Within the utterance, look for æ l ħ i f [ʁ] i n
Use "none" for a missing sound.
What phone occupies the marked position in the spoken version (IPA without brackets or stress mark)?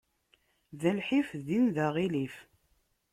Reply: ð